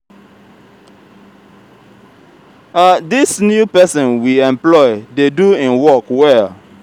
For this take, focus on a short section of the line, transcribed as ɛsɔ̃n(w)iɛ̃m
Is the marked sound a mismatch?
no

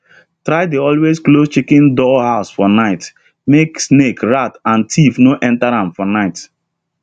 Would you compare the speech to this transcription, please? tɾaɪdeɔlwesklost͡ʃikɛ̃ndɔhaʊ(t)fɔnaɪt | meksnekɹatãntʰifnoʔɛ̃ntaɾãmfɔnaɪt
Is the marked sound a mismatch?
yes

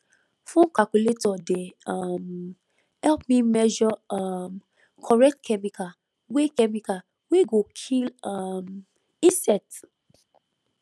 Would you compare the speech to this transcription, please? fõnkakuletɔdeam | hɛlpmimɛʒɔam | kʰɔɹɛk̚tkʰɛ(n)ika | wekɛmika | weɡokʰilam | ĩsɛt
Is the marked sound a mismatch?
yes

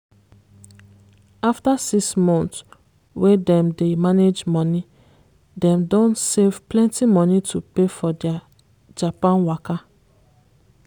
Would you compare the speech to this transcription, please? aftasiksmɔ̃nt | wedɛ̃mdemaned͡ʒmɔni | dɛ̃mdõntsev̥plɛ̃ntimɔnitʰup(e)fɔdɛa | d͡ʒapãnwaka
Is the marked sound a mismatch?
no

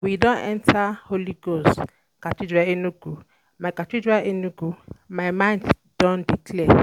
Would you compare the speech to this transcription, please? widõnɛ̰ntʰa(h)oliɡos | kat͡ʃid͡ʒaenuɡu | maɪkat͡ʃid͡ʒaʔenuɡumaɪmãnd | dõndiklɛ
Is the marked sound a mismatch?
no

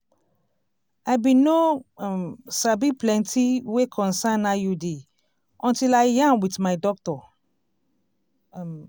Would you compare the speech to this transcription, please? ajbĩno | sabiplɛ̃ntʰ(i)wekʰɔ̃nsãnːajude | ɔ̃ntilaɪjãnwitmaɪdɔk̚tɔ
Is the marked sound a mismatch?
no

